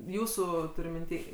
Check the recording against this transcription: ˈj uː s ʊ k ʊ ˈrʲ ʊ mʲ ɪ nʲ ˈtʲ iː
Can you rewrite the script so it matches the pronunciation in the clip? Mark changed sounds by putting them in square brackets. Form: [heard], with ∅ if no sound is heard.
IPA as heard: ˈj uː s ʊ [t] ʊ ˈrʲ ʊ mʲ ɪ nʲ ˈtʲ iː